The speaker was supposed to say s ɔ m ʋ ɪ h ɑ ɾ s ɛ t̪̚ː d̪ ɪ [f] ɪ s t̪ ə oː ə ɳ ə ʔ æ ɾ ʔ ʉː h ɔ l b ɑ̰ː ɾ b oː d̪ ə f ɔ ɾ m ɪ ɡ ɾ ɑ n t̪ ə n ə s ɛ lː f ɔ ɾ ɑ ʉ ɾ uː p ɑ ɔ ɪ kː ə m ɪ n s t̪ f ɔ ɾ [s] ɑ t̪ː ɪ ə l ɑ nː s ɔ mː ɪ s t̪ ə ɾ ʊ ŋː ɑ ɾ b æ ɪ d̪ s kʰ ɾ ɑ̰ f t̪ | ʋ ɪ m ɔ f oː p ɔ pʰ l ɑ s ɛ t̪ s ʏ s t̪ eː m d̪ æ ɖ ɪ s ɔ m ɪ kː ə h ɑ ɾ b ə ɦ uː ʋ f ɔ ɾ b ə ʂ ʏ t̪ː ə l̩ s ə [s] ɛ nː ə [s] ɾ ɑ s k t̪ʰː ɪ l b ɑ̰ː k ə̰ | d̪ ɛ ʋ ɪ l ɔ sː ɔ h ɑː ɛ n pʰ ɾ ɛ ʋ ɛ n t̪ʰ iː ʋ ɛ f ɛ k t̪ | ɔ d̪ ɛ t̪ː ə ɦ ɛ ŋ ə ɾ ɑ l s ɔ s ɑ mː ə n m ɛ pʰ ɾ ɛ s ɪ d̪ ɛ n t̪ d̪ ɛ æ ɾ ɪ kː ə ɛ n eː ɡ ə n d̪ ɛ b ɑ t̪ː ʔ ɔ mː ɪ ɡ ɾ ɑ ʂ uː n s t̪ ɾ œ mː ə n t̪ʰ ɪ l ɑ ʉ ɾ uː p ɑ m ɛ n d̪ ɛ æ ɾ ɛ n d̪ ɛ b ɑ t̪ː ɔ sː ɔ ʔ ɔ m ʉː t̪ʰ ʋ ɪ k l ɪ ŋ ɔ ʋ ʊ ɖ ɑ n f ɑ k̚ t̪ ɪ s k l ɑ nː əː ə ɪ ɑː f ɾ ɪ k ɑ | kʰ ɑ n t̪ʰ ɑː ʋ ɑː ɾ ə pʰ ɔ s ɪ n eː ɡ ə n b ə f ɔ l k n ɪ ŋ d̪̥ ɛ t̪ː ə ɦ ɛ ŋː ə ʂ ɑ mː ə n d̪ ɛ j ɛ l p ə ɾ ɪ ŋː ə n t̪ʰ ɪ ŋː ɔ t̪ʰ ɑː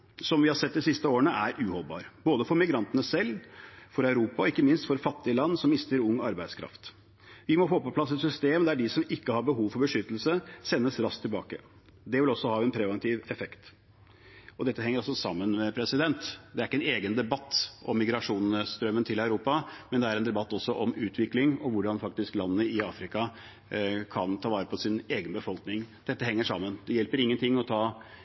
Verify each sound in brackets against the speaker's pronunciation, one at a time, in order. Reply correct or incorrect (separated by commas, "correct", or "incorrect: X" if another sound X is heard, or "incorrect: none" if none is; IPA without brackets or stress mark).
incorrect: s, incorrect: f, correct, correct